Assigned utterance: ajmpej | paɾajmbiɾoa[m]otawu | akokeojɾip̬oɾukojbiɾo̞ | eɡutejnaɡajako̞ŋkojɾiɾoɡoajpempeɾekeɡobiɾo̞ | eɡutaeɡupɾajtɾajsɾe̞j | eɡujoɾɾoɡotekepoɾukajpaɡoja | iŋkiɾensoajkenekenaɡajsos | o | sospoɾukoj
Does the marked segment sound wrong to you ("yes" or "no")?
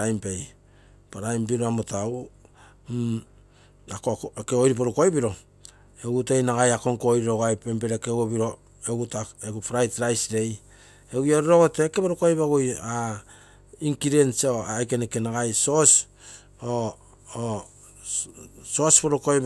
no